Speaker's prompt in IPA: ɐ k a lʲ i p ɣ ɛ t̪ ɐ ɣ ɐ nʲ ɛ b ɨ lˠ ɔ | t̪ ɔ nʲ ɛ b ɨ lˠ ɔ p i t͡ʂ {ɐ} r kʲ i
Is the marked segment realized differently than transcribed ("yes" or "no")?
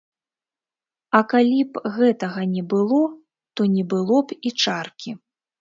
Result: yes